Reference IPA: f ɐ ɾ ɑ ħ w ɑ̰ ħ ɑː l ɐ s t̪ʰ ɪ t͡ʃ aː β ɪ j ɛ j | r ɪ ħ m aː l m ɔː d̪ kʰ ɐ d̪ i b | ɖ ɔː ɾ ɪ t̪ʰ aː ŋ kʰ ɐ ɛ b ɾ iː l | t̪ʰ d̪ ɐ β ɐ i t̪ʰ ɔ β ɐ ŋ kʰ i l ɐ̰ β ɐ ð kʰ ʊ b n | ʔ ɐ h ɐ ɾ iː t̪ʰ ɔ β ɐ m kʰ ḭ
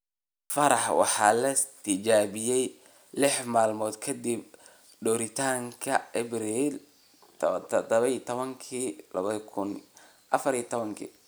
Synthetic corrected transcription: f ɐ ɾ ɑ ħ w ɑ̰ ħ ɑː l ɐ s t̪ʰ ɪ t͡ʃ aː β ɪ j ɛ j | l ɪ ħ m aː l m ɔː d̪ kʰ ɐ d̪ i b | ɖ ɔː ɾ ɪ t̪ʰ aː ŋ kʰ ɐ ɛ b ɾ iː l | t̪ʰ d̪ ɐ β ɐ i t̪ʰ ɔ β ɐ ŋ kʰ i l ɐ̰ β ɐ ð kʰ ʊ n | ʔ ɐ f ɐ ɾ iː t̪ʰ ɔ β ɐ ŋ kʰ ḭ